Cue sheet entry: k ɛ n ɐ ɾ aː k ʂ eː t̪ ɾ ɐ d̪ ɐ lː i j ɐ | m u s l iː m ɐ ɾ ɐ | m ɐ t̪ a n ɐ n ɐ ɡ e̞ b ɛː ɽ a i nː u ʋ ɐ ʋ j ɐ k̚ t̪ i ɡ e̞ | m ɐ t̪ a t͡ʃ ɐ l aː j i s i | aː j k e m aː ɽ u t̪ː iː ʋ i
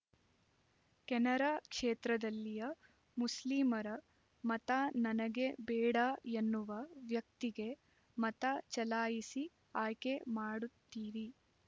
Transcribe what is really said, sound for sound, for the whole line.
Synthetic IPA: k ɛ n ɐ ɾ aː k ʂ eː t̪ ɾ ɐ d̪ ɐ lː i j ɐ | m u s l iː m ɐ ɾ ɐ | m ɐ t̪ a n ɐ n ɐ ɡ e̞ b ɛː ɽ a e nː u ʋ ɐ ʋ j ɐ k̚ t̪ i ɡ e̞ | m ɐ t̪ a t͡ʃ ɐ l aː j i s i | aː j k e m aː ɽ u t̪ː iː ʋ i